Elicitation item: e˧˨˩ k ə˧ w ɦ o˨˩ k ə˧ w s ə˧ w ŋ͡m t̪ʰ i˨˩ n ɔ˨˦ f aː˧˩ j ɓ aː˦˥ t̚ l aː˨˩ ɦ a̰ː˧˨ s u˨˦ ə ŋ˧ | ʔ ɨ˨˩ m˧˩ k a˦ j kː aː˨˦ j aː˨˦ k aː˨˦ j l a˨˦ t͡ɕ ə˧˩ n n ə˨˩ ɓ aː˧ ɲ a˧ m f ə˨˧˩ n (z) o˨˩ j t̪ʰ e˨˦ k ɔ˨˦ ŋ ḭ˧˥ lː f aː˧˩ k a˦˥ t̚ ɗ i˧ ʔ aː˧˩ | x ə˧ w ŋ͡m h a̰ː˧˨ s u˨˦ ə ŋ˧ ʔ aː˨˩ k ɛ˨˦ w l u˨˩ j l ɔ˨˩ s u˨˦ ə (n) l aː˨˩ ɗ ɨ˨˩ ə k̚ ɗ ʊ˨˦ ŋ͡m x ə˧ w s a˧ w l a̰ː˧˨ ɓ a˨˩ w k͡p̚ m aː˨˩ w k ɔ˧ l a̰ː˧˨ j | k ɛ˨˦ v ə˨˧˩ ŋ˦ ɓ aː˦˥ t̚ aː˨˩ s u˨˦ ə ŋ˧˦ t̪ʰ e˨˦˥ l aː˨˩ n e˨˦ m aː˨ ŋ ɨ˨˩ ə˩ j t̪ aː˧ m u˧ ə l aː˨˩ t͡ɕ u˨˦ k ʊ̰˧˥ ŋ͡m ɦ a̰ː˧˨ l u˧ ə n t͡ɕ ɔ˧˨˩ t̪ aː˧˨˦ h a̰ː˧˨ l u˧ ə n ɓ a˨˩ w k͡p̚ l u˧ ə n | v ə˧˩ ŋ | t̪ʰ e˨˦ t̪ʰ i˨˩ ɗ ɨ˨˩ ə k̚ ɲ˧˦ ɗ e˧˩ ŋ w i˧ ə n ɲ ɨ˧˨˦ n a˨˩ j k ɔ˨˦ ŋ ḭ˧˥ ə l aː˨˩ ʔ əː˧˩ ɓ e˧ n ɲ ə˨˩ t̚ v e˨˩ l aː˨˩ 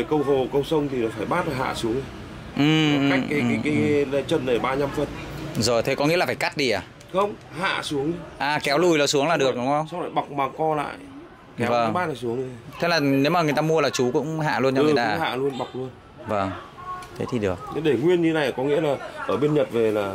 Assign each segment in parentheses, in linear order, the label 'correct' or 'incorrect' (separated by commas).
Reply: correct, incorrect